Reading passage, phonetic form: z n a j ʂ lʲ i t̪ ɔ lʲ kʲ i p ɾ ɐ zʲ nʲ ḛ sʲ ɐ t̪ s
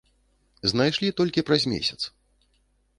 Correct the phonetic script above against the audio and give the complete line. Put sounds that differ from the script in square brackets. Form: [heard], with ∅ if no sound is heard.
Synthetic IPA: z n a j ʂ lʲ i t̪ ɔ lʲ kʲ i p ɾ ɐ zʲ [mʲ] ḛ sʲ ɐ t̪ s